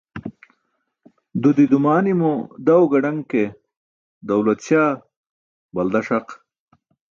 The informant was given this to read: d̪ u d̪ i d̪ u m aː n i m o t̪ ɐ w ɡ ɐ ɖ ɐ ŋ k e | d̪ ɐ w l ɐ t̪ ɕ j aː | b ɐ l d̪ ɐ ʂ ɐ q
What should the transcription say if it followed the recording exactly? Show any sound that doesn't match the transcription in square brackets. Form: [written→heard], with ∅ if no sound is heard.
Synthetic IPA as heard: d̪ u d̪ i d̪ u m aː n i m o [t̪→d̪] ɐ w ɡ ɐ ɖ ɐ ŋ k e | d̪ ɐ w l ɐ t̪ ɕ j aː | b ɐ l d̪ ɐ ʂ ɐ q